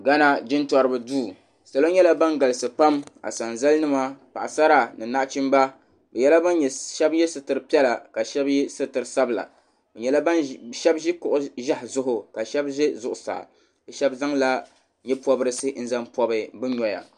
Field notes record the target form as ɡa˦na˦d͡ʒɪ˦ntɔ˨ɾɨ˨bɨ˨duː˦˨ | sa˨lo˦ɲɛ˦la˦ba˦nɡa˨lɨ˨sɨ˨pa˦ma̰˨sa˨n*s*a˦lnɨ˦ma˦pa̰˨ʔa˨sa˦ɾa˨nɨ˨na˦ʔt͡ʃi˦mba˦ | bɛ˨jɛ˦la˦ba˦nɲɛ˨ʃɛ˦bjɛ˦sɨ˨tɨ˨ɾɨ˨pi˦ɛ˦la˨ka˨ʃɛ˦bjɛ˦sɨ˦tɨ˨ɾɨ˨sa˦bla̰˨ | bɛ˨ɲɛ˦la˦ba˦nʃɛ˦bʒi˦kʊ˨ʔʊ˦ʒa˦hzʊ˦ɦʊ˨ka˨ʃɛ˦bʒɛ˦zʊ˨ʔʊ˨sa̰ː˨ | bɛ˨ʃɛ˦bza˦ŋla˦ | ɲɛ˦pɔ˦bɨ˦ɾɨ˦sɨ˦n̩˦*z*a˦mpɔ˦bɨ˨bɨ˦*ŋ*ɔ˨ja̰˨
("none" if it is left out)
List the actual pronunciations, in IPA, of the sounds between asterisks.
z, z, ɲ

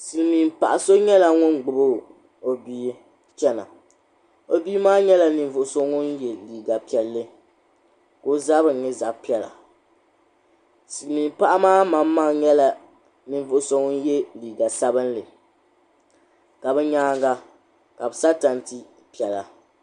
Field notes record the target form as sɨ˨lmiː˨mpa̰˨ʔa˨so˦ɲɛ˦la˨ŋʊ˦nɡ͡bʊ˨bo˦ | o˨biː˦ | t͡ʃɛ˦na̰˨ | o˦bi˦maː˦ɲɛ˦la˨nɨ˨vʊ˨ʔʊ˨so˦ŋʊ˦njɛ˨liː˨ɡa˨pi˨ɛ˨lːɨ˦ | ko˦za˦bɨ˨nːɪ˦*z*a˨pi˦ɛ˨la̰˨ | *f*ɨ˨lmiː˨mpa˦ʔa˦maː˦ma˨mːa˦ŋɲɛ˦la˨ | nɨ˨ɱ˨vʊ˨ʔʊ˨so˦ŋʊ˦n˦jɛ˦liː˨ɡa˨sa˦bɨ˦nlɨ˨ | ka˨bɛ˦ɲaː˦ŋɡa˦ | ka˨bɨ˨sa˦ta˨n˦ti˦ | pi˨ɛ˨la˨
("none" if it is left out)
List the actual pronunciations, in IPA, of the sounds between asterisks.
z, s

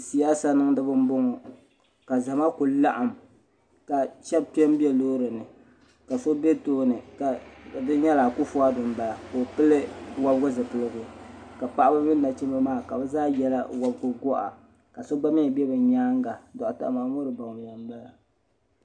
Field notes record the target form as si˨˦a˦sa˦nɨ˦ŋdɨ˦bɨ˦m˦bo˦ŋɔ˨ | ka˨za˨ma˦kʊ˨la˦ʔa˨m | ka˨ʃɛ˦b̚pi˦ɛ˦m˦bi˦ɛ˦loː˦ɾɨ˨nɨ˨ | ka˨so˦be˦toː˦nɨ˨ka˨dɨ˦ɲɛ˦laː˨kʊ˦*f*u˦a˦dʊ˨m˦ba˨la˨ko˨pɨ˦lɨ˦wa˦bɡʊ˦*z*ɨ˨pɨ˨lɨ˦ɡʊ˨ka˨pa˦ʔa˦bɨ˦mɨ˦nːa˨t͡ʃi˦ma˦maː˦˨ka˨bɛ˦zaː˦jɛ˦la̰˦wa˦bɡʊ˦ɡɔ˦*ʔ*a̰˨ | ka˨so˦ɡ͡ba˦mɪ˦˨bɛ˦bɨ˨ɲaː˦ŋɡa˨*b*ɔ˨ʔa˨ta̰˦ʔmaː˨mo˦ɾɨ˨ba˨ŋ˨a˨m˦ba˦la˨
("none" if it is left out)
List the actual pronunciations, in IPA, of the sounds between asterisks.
f, z, ʔ, d

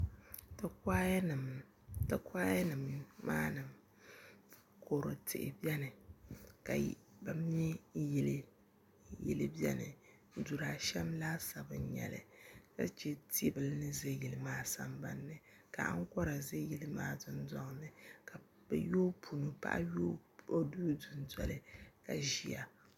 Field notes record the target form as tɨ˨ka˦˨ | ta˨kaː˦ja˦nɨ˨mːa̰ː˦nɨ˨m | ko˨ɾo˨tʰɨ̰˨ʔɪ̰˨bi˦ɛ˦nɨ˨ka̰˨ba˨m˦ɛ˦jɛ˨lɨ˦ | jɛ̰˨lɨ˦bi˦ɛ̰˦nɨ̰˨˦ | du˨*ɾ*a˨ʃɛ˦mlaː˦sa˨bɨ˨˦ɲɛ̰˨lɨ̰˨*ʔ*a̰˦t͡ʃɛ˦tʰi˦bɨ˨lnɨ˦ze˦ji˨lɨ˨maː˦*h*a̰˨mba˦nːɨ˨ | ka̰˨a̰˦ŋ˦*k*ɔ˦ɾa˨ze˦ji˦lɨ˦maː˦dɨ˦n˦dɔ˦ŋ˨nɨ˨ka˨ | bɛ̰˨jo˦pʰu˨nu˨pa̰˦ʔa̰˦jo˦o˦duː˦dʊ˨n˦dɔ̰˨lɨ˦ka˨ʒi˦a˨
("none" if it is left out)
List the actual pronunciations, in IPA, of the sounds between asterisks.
ɾ, k, s, k

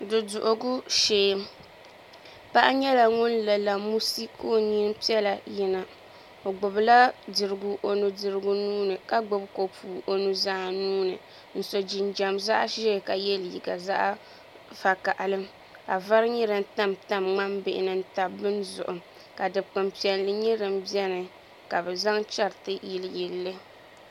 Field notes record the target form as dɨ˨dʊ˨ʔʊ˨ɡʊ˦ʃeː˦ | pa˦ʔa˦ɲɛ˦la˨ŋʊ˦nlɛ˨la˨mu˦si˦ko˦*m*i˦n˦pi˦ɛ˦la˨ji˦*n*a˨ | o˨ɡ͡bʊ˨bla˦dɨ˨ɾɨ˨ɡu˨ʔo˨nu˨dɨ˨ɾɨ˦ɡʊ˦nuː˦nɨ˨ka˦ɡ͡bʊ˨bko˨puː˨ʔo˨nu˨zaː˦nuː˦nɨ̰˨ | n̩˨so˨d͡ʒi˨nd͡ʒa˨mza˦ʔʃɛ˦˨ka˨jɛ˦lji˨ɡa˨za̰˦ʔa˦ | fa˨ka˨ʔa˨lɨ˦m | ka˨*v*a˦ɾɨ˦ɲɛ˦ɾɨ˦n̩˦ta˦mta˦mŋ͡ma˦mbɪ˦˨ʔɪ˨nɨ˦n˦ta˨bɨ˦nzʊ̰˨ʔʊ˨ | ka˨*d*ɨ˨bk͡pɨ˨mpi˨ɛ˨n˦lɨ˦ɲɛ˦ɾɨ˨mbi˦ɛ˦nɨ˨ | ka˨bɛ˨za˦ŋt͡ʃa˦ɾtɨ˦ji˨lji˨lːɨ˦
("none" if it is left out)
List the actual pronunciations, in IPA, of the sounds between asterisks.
ɲ, n, v, d

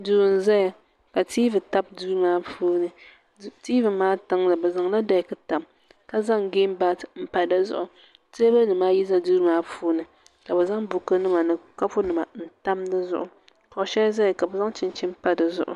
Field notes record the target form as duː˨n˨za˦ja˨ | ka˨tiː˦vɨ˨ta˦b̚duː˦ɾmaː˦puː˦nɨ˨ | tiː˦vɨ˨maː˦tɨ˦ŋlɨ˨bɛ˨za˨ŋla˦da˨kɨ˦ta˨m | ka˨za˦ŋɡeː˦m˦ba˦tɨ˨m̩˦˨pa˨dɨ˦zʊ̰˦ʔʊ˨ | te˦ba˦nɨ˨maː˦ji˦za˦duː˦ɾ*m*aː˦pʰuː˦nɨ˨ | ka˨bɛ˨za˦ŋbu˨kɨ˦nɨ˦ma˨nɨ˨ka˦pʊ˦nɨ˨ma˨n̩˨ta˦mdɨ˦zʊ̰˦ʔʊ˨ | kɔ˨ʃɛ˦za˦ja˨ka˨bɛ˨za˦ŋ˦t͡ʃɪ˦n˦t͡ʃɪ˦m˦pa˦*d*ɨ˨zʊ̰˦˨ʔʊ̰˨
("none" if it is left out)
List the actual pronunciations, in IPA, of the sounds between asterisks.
m, d

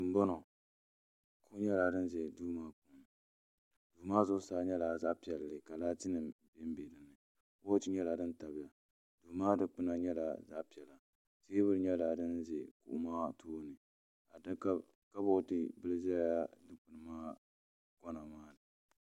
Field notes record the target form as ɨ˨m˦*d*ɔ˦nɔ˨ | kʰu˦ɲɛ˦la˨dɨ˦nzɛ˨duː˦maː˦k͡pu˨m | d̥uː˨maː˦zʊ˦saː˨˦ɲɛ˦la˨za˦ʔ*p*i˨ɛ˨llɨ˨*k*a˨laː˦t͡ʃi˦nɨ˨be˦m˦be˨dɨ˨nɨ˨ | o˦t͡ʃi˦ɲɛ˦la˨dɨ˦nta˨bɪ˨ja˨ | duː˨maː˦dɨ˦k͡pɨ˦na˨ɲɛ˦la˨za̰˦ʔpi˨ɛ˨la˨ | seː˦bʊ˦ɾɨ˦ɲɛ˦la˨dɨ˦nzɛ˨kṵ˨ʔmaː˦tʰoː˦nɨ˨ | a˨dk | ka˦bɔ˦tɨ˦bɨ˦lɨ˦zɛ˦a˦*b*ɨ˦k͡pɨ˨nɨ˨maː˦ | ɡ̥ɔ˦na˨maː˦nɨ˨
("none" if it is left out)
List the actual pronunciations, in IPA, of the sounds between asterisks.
b, p, k, d

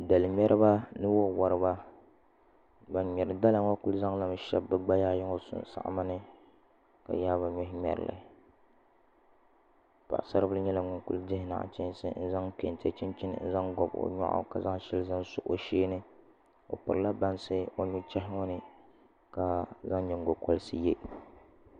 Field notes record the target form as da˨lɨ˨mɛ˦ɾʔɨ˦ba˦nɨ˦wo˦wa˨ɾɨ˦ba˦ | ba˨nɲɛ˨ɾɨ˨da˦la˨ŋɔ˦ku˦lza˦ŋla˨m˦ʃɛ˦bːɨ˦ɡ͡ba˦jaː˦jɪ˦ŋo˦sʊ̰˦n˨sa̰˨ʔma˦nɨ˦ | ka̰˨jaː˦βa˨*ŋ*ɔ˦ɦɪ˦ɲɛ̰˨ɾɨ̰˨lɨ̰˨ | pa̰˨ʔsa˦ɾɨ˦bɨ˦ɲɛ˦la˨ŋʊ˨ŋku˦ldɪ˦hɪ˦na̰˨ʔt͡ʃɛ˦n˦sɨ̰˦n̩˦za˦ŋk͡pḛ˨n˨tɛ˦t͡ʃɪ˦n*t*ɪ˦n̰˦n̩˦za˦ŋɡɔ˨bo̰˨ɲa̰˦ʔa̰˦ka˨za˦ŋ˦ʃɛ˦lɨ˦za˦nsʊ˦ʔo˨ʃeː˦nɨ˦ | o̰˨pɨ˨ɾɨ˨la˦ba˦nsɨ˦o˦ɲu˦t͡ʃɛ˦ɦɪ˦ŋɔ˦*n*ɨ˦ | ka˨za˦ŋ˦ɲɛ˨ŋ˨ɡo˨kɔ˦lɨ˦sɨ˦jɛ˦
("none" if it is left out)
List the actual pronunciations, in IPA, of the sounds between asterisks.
ɲ, t͡ʃ, n

